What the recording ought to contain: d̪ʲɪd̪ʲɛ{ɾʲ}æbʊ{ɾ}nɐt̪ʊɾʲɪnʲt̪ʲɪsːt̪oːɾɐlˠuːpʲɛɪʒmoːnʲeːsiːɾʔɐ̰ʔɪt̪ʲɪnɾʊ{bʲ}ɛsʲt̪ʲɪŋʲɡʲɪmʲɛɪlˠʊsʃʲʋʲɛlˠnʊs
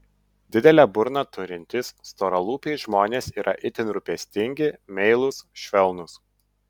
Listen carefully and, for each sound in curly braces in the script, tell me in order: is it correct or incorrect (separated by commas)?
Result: incorrect, correct, incorrect